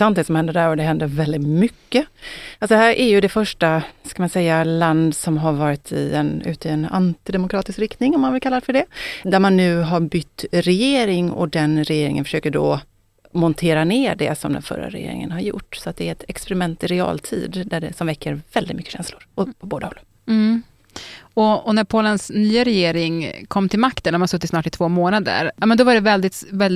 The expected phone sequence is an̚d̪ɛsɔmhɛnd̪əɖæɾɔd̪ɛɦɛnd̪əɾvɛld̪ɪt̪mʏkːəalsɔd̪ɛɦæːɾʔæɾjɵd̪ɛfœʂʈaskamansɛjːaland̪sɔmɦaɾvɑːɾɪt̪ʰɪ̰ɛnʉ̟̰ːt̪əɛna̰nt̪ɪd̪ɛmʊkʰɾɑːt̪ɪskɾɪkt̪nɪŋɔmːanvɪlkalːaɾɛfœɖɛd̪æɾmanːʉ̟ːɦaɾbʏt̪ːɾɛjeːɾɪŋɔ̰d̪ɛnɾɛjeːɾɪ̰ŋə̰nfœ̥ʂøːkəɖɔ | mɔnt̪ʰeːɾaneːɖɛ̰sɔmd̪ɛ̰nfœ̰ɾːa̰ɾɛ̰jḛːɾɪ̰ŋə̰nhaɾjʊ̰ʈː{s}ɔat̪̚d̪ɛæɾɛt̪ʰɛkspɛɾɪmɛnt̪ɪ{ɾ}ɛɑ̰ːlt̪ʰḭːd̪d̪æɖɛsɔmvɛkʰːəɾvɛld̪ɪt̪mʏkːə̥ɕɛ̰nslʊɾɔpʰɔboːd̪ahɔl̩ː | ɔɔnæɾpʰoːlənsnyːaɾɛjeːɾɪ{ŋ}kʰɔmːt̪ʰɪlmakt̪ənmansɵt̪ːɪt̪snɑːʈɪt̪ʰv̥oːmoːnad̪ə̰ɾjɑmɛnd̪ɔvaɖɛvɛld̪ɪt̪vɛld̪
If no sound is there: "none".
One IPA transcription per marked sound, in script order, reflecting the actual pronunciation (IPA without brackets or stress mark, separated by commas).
s, ɾ, ŋ